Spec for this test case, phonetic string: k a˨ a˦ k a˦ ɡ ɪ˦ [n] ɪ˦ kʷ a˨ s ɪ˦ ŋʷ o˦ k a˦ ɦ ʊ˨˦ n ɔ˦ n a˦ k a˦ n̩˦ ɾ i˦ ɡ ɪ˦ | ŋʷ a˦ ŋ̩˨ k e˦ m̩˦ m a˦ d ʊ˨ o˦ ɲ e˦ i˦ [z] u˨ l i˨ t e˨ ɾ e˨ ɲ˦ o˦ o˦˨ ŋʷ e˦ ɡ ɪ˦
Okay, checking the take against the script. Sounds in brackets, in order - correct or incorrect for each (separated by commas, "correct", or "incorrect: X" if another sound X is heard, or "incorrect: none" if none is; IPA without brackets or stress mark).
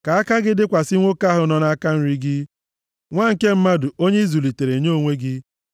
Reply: incorrect: d, correct